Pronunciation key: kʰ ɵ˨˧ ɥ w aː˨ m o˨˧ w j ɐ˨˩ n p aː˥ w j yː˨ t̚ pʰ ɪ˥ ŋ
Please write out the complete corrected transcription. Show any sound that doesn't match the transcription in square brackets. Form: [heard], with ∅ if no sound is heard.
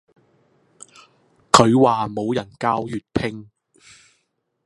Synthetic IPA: kʰ ɵ˨˧ ɥ w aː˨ m o˨˧ w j ɐ˨˩ n [k] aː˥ w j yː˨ t̚ pʰ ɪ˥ ŋ